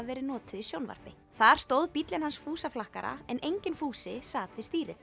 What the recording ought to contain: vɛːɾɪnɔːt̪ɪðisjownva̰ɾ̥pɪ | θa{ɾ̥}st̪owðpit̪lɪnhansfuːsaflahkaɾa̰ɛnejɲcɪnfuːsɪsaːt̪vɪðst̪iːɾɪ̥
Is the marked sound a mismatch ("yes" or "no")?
no